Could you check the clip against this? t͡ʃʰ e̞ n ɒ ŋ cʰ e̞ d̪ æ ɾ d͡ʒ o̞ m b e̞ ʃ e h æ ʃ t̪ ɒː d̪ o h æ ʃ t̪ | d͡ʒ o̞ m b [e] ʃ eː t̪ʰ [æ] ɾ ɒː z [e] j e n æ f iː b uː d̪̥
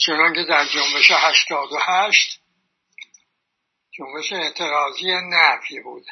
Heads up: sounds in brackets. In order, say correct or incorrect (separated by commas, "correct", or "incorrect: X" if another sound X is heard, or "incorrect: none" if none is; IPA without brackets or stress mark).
correct, incorrect: e, incorrect: i